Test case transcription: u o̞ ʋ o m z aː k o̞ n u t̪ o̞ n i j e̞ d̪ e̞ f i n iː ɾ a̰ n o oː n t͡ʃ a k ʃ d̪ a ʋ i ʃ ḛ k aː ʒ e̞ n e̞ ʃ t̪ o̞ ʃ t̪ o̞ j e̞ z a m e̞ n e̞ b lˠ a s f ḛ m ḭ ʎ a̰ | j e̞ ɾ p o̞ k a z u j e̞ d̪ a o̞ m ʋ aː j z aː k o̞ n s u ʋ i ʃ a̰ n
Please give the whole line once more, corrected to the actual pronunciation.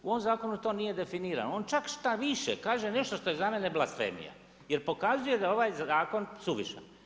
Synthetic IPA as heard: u o̞ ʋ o m z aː k o̞ n u t̪ o̞ n i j e̞ d̪ e̞ f i n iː ɾ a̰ n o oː n t͡ʃ a k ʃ t̪ a ʋ i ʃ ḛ k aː ʒ e̞ n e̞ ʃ t̪ o̞ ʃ t̪ o̞ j e̞ z a m e̞ n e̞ b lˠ a s f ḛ m ḭ j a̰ | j e̞ ɾ p o̞ k a z u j e̞ d̪ a o̞ ʋ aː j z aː k o̞ n s u ʋ i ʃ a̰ n